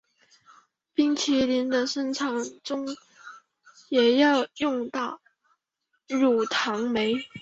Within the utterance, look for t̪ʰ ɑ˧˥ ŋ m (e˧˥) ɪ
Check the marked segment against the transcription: correct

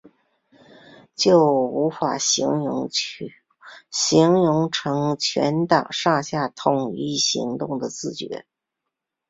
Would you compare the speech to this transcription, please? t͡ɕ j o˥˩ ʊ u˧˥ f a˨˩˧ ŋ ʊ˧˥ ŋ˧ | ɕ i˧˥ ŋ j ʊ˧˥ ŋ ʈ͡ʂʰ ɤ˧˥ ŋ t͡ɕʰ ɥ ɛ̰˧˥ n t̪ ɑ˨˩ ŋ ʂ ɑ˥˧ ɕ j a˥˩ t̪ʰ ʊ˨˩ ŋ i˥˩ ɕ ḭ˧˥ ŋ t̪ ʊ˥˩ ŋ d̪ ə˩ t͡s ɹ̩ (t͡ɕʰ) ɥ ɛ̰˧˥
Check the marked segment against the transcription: incorrect: t͡ɕ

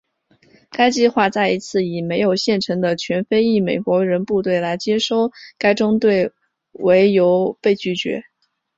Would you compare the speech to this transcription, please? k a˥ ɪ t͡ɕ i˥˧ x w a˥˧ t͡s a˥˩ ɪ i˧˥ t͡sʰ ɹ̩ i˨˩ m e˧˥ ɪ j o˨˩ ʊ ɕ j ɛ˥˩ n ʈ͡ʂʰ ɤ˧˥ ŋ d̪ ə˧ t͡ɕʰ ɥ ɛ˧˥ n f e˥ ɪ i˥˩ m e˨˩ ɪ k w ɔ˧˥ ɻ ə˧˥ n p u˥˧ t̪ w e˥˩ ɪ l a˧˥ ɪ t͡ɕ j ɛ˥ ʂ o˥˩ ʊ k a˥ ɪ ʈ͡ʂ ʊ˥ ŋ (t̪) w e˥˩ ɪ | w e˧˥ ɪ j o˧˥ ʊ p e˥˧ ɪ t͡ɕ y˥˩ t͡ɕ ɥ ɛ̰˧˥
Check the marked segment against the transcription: correct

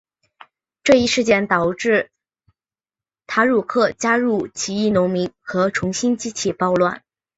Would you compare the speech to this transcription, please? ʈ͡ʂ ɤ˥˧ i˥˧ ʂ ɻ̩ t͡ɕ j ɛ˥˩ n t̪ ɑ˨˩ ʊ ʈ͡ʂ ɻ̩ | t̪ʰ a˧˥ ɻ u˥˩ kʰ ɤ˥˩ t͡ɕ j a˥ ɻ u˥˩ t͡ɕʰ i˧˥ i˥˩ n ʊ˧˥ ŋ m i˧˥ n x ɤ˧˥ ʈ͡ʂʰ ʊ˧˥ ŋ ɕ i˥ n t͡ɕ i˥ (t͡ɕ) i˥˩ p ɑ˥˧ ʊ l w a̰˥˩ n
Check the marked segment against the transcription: incorrect: t͡ɕʰ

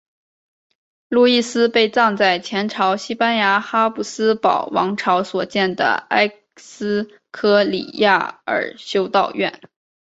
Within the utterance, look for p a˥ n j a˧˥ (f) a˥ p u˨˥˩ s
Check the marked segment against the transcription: incorrect: x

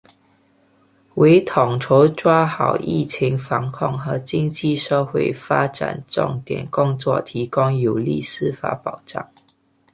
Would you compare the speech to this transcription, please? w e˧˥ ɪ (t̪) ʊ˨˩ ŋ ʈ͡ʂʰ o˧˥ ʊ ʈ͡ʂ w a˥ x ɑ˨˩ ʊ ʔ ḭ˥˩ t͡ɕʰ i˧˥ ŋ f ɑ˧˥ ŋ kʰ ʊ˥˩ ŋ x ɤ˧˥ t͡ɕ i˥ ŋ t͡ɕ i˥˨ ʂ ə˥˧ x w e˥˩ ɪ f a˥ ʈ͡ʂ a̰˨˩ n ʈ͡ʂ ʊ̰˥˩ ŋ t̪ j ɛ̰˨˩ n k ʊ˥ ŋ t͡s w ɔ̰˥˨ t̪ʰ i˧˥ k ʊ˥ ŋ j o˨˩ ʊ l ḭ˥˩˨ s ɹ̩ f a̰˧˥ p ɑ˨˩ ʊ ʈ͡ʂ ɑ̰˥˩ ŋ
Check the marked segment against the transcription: incorrect: t̪ʰ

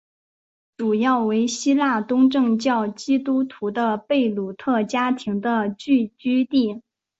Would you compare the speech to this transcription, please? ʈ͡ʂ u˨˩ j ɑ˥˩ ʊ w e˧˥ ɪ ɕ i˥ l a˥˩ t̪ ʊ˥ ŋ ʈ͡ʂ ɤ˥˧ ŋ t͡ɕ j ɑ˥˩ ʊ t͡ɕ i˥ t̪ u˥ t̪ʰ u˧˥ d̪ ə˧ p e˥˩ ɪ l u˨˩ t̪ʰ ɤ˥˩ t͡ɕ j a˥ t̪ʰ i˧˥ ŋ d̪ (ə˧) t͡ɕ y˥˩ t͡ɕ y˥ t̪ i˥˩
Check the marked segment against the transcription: correct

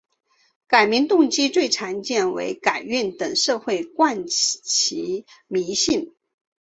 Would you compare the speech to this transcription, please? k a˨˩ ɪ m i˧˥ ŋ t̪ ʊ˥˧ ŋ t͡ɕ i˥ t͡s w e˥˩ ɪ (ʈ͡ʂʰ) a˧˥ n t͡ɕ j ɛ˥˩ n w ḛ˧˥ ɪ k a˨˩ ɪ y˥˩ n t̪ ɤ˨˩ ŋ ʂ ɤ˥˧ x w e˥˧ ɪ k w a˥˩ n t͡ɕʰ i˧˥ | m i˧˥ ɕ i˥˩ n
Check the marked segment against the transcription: correct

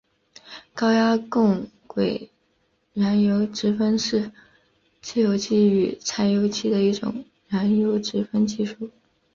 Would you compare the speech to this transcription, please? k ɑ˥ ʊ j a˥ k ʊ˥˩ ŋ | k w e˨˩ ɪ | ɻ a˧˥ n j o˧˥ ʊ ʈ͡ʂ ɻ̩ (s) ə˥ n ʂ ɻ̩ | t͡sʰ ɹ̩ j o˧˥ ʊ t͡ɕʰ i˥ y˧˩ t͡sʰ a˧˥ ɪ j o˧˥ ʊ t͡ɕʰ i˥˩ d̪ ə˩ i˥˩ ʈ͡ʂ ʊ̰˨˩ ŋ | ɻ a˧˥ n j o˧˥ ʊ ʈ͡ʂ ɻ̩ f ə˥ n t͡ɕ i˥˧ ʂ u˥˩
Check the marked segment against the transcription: incorrect: f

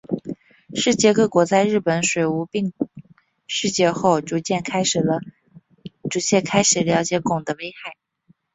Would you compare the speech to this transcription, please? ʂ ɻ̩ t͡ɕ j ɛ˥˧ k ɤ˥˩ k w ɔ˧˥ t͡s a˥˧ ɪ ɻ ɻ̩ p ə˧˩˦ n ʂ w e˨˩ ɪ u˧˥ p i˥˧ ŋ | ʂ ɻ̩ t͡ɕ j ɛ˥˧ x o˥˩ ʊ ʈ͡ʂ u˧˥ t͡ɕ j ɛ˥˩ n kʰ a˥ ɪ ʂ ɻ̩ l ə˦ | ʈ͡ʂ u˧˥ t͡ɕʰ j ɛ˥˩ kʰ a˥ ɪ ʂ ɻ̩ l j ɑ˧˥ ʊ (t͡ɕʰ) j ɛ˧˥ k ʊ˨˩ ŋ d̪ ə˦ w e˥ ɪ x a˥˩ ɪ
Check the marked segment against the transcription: incorrect: t͡ɕ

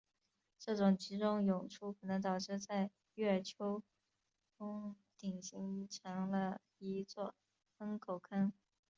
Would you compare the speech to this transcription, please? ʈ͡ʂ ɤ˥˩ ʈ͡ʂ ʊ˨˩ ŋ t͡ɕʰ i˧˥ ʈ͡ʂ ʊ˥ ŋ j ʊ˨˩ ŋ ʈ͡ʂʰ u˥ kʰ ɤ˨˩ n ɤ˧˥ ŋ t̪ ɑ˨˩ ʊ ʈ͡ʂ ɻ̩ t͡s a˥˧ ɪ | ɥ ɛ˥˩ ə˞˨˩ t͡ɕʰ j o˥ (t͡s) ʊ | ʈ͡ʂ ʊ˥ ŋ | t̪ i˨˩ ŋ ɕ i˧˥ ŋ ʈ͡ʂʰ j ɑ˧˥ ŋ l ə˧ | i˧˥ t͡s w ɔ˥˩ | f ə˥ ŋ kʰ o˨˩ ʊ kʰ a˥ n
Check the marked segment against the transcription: incorrect: none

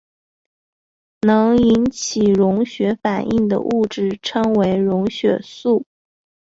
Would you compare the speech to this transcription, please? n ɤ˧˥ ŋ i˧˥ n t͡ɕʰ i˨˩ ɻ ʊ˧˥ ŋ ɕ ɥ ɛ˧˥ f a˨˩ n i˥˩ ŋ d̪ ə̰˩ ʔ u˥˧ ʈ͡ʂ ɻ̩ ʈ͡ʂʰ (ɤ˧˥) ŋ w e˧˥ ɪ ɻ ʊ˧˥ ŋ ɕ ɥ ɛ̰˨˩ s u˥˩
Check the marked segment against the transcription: incorrect: ɤ˥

